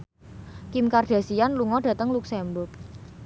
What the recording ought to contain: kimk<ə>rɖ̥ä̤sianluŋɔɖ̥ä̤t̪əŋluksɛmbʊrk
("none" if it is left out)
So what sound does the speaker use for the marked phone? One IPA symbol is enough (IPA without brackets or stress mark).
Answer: a